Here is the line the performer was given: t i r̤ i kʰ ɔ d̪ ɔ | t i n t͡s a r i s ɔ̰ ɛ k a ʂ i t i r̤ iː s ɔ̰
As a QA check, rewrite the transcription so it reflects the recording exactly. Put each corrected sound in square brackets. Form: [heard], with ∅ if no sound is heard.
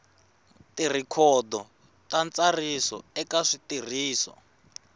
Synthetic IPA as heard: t i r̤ i kʰ ɔ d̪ ɔ | t [a] n t͡s a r i s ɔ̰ ɛ k a ʂ i t i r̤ iː s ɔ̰